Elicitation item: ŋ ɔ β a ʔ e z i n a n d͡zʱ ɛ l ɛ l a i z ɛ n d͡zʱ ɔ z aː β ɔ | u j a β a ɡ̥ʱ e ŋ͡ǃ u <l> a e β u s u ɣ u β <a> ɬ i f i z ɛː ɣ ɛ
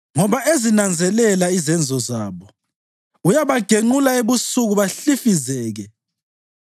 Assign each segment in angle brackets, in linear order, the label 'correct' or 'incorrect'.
correct, correct

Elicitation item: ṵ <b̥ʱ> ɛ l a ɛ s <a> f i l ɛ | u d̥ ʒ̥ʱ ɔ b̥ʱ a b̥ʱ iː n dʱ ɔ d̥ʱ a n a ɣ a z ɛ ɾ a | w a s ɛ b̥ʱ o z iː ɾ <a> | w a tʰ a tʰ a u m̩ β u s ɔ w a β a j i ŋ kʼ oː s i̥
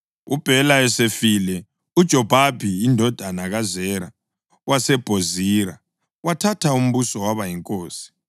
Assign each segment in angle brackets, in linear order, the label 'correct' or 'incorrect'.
correct, incorrect, correct

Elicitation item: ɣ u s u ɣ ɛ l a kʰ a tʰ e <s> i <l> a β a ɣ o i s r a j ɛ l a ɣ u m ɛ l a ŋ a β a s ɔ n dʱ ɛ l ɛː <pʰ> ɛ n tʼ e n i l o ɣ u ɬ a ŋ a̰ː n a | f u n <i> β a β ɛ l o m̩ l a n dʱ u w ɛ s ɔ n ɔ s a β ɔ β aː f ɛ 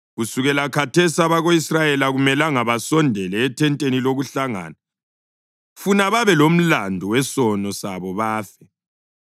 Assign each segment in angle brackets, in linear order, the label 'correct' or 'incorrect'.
correct, incorrect, incorrect, incorrect

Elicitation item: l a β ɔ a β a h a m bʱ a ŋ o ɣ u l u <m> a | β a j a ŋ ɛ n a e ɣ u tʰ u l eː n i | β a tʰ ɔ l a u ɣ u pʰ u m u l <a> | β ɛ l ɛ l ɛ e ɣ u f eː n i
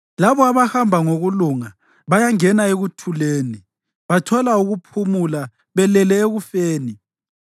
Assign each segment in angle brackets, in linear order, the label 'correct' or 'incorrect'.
incorrect, correct

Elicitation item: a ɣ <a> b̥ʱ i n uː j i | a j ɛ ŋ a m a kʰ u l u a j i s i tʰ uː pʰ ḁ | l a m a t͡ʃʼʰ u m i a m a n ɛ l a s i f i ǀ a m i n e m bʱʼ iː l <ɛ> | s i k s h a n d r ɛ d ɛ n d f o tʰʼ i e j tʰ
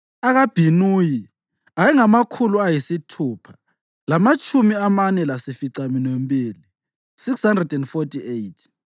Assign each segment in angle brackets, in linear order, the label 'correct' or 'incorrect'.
correct, incorrect

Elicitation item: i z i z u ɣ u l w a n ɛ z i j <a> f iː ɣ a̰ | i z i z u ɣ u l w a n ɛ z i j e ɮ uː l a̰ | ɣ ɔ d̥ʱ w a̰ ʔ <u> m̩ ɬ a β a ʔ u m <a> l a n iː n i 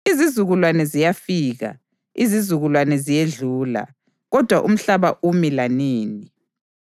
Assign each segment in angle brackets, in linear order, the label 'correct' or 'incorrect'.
correct, correct, incorrect

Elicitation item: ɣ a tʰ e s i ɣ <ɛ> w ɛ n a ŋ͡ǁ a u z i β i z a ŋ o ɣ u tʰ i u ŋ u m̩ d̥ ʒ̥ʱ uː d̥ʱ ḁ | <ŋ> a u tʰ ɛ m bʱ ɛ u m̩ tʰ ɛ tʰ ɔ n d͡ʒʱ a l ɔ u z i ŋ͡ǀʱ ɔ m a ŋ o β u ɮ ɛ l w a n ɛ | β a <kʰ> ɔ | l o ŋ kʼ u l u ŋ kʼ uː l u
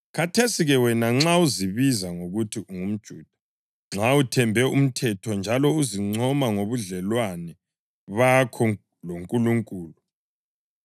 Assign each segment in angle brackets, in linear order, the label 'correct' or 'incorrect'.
correct, incorrect, correct

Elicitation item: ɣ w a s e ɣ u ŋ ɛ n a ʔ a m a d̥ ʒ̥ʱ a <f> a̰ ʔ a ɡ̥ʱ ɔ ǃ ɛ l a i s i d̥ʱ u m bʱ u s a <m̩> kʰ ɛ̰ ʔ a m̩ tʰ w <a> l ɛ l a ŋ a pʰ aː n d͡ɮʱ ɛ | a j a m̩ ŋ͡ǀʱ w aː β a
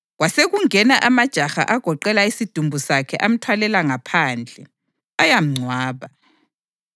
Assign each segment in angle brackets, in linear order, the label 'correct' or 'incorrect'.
incorrect, incorrect, correct

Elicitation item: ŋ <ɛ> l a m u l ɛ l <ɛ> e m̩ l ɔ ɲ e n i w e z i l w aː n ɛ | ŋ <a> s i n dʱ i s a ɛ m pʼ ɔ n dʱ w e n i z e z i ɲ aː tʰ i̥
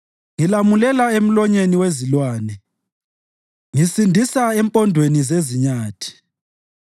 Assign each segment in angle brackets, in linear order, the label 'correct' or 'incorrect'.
incorrect, incorrect, incorrect

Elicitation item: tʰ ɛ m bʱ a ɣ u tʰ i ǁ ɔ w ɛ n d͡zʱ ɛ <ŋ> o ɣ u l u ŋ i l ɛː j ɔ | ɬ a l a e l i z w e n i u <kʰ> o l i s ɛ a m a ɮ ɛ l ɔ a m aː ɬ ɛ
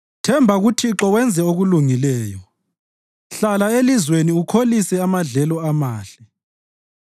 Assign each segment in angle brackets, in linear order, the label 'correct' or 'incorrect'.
incorrect, correct

